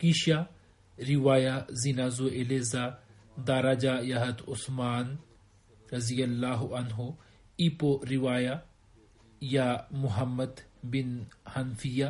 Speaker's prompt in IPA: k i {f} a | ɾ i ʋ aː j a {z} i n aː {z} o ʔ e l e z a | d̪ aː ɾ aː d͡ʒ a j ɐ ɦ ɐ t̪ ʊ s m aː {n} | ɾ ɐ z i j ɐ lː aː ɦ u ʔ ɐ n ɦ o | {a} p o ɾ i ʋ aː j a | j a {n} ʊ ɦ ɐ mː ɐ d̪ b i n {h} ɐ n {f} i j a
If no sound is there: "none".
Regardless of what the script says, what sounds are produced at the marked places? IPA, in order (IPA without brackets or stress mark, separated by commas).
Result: ʃ, z, z, n, i, m, h, f